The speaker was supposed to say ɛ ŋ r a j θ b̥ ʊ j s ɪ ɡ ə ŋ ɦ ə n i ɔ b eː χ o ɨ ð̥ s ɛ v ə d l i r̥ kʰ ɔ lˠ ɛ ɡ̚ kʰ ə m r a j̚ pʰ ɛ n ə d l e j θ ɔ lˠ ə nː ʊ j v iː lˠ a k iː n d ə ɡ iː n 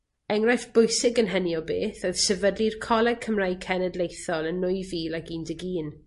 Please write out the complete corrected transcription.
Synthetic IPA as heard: ɛ ŋ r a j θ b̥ ʊ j s ɪ ɡ ə n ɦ ə n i ɔ b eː θ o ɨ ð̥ s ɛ v ə d l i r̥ kʰ ɔ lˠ ɛ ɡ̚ kʰ ə m r a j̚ kʰ ɛ n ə d l e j θ ɔ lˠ ə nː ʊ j v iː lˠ a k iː n d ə ɡ iː n

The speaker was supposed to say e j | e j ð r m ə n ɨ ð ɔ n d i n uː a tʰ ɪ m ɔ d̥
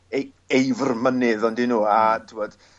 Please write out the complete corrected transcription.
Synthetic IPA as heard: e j | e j v r m ə n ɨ ð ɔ n d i n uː a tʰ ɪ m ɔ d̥

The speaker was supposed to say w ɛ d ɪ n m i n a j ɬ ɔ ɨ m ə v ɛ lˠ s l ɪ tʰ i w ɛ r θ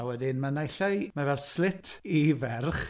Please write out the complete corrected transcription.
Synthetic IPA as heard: w ɛ d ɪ n m a n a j ɬ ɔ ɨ m a v ɛ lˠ s l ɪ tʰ i v ɛ r χ

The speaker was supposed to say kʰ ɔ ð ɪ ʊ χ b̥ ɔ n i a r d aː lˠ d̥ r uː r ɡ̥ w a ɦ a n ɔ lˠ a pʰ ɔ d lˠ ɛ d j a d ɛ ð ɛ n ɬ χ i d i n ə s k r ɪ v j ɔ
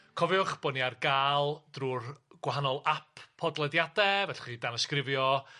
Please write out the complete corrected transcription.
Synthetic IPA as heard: kʰ ɔ v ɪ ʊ χ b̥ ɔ n i a r ɡ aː lˠ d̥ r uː r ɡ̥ w a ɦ a n ɔ lˠ a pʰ ɔ d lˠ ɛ d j a d ɛ v ɛ ɬ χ i d a n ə s k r ɪ v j ɔ

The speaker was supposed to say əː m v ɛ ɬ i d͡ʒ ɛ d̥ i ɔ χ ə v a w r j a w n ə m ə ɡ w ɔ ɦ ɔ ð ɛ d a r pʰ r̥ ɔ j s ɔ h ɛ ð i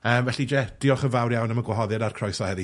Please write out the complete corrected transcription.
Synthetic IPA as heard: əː m v ɛ ɬ i d͡ʒ ɛ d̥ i ɔ χ ə v a w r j a w n ə m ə ɡ w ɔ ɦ ɔ ð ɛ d a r kʰ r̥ ɔ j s ɔ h ɛ ð i

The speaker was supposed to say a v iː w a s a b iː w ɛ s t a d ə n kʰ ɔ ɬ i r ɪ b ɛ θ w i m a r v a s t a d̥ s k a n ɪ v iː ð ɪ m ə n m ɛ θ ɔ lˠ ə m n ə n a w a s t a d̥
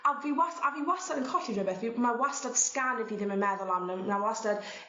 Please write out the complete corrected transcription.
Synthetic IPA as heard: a v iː w a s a v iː w a s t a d ə n kʰ ɔ ɬ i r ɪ b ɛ θ v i m a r w a s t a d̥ s k a n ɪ v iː ð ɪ m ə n m ɛ ð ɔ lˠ a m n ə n a w a s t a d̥

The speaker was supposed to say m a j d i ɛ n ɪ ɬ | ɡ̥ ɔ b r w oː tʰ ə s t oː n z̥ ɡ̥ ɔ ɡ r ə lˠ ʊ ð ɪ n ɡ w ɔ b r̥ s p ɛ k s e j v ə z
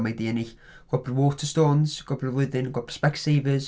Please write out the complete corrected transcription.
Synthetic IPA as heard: m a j d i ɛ n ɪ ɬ | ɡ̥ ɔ b r w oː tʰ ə s t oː n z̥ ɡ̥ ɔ b r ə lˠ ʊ ð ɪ n ɡ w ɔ b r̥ s p ɛ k s e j v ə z

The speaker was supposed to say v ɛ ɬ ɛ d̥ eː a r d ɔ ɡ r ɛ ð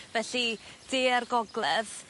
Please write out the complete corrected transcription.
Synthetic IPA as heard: v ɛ ɬ i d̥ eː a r ɡ ɔ ɡ l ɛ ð

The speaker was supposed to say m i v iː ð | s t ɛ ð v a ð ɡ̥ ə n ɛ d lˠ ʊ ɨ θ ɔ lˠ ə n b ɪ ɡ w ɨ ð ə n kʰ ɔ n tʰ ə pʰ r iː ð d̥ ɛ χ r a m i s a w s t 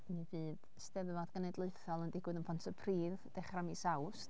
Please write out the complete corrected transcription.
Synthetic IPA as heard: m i v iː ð | s t ɛ ð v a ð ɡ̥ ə n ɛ d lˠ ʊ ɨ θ ɔ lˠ ə n d ɪ ɡ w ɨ ð ə n pʰ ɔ n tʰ ə pʰ r iː ð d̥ ɛ χ r a m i s a w s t

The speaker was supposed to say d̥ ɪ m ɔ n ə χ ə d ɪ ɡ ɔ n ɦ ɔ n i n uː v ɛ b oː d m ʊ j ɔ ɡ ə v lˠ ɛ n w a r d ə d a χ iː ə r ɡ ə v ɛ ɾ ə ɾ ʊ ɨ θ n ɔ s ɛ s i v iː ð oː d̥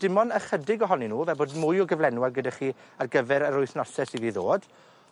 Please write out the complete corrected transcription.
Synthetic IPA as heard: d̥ ɪ m ɔ n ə χ ə d ɪ ɡ ɔ ɦ ɔ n i n uː v ɛ b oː d m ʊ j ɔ ɡ ə v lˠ ɛ n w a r ɡ ə d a χ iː a r ɡ ə v ɛ ɾ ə ɾ ʊ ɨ θ n ɔ s ɛ s i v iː ð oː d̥

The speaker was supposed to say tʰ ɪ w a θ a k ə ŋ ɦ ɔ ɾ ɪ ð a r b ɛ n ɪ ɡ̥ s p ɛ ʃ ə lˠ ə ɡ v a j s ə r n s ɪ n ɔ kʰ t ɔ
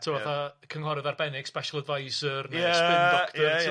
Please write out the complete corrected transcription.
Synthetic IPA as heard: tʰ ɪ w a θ a kʰ ə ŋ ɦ ɔ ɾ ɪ ð a r b ɛ n ɪ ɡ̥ s p ɛ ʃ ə lˠ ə d v a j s ə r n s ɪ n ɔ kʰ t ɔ

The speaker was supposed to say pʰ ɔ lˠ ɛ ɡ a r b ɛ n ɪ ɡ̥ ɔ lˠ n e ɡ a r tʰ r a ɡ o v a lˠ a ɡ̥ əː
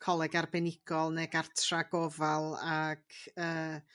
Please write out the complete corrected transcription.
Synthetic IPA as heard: kʰ ɔ lˠ ɛ ɡ a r b ɛ n ɪ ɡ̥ ɔ lˠ n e ɡ a r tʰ r a ɡ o v a lˠ a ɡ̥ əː

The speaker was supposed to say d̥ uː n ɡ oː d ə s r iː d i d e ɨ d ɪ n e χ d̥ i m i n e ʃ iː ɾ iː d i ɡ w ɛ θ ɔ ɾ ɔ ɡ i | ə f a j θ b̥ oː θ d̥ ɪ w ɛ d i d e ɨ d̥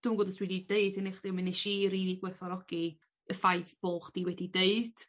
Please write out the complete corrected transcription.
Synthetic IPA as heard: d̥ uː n ɡ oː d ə s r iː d i d e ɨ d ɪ n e χ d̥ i m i n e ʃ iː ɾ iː d i ɡ w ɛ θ ɔ ɾ ɔ ɡ i | ə f a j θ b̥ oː χ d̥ i w ɛ d i d e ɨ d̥

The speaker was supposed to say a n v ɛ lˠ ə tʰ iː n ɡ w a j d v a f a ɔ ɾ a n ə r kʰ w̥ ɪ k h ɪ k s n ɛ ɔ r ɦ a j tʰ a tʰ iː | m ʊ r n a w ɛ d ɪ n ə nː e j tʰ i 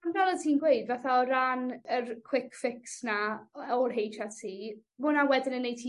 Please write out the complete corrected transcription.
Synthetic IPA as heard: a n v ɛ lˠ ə tʰ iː n ɡ w e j d v a θ a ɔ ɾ a n ə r kʰ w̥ ɪ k f ɪ k s n a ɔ r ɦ e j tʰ a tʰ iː | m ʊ n a w ɛ d ɪ n ə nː e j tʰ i

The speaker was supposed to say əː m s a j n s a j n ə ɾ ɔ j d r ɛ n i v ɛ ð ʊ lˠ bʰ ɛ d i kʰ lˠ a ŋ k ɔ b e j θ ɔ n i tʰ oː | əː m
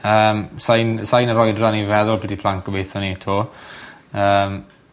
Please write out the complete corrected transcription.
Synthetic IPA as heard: əː m s a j n s a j n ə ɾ ɔ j d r a n i v ɛ ð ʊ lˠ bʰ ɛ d i pʰ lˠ a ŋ k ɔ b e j θ ɔ n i tʰ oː | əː m

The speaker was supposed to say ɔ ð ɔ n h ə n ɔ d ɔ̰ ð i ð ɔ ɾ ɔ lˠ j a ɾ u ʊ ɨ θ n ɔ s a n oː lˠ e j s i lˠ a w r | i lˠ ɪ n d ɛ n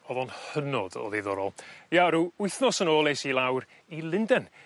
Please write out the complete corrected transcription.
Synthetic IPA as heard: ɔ ð ɔ n h ə n ɔ d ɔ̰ ð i ð ɔ ɾ ɔ lˠ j a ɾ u ʊ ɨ θ n ɔ s ə n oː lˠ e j s i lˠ a w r | i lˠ ɪ n d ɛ n

